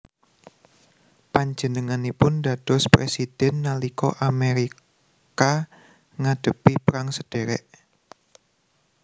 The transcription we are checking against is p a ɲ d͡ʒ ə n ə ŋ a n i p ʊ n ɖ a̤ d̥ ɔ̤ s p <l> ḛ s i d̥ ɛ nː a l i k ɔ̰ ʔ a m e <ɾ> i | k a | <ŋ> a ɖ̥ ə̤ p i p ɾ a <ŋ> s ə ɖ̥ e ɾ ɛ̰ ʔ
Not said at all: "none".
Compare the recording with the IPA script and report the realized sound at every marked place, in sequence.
ɾ, ɾ, ŋ, ŋ

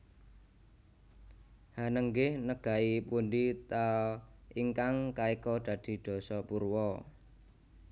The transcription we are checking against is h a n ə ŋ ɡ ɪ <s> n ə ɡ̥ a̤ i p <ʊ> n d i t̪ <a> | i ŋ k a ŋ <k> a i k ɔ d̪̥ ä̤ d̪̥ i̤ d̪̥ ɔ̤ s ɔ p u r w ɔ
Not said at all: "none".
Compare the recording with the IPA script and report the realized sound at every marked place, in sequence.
h, u, a, k

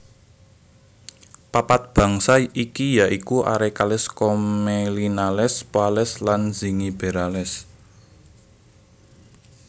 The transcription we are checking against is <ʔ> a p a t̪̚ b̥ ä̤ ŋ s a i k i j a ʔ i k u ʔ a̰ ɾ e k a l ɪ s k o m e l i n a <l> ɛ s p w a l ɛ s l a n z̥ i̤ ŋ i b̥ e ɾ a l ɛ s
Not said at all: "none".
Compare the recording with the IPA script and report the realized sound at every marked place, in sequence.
p, l

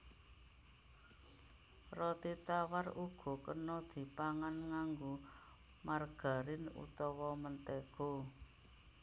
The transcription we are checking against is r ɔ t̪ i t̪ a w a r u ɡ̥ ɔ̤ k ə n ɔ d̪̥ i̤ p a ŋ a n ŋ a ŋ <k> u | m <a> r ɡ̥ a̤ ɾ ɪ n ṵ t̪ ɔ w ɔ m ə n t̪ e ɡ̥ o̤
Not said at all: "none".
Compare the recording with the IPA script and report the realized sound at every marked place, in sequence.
ɡ, a

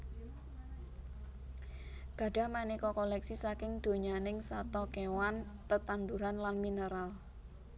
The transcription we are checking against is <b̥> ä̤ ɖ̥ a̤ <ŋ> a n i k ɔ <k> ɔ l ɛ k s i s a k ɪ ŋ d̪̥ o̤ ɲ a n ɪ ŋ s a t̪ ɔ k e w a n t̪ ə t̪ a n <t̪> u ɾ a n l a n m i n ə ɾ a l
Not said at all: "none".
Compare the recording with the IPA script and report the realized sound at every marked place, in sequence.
ɡ̥, m, k, d̪

